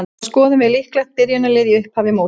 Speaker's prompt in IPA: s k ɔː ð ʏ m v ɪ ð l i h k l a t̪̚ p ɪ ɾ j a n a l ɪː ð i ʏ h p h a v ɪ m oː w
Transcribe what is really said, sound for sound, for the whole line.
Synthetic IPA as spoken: s k ɔː ð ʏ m v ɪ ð l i h k l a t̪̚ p ɪ ɾ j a n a l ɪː ð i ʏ h p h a v ɪ m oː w

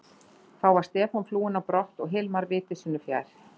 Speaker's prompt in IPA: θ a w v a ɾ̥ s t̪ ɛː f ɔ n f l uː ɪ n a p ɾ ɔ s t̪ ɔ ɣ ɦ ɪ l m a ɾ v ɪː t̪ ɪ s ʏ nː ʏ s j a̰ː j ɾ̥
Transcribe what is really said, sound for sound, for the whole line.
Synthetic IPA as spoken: θ a w v a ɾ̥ s t̪ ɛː f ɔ n f l uː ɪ n a p ɾ ɔ h t̪ ɔ ɣ ɦ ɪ l m a ɾ v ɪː t̪ ɪ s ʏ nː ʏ f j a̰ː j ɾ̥

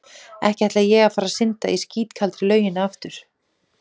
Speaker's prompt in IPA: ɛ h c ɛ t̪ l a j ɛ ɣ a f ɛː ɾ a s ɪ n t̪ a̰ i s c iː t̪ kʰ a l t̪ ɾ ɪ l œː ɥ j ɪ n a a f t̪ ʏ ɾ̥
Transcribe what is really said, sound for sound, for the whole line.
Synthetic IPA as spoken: ɛ h c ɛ t̪ l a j ɛ ɣ a f aː ɾ a s ɪ n t̪ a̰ i s c iː t̪ kʰ a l t̪ ɾ ɪ l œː ɥ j ɪ n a a f t̪ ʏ ɾ̥

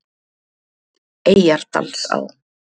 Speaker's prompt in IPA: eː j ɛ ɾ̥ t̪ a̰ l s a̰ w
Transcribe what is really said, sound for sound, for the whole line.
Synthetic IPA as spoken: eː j a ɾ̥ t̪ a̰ l s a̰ w

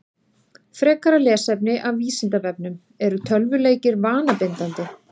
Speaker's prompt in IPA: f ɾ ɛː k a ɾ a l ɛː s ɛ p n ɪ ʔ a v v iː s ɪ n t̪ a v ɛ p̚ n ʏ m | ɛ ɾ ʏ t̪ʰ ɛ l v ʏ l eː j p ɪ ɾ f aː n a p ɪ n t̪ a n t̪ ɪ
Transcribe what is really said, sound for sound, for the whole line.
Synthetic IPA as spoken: f ɾ ɛː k a ɾ a l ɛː s ɛ p n ɪ ʔ a v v iː s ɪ n t̪ a v ɛ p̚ n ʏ m | ɛ ɾ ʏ t̪ʰ œ l v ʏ l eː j c ɪ ɾ v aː n a p ɪ n t̪ a n t̪ ɪ

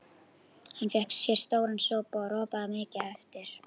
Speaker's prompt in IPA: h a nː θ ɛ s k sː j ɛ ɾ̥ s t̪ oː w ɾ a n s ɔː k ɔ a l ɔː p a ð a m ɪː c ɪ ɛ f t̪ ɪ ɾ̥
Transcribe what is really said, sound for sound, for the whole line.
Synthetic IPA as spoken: h a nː f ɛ h k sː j ɛ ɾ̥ s t̪ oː w ɾ a n s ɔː p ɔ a ɾ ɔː p a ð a m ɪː c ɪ ɛ f t̪ ɪ ɾ̥

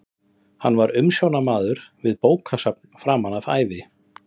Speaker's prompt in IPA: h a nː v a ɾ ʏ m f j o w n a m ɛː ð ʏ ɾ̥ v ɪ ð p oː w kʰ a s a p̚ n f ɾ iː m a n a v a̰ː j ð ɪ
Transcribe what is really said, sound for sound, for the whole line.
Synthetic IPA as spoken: h a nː v a ɾ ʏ m s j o w n a m aː ð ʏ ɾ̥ v ɪ ð p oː w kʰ a s a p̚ n f ɾ aː m a n a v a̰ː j v ɪ

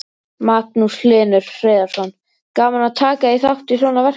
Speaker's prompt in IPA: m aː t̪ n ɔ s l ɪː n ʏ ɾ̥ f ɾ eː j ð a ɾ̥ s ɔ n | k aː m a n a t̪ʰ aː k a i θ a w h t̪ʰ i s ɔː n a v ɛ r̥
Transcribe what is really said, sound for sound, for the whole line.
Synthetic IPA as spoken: m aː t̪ n u s l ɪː n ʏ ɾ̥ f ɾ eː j ð a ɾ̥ s ɔ n | k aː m a n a t̪ʰ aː k a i θ a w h t̪ i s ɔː n a v ɛ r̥

